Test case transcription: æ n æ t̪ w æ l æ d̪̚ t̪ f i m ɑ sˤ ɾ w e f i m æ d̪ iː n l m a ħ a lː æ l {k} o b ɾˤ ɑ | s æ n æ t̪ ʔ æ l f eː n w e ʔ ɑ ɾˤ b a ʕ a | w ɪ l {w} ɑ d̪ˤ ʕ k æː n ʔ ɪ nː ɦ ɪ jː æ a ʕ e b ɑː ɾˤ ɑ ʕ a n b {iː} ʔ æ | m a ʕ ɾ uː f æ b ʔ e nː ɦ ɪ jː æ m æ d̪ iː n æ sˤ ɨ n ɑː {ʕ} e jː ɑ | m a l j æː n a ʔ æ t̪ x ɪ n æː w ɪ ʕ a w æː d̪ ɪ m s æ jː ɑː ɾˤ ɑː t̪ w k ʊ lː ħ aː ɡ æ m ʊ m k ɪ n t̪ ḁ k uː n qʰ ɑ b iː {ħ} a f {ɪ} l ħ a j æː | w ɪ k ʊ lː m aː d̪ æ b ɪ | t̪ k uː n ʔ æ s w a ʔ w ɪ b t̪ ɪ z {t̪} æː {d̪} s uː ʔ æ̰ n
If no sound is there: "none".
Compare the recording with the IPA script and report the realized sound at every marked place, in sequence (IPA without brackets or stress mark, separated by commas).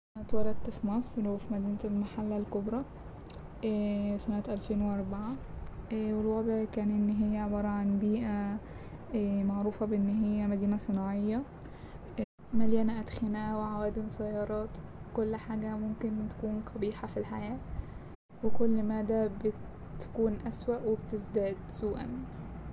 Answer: k, w, iː, ʕ, ħ, i, d̪, d̪